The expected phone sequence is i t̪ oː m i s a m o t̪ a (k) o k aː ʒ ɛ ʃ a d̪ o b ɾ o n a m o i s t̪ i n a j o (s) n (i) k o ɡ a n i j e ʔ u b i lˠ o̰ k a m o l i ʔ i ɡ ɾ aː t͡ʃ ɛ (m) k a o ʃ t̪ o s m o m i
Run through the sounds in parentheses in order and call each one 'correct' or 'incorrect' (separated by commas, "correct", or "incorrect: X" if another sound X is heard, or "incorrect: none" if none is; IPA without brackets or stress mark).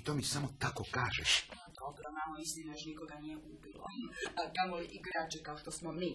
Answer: correct, incorrect: ʃ, correct, incorrect: none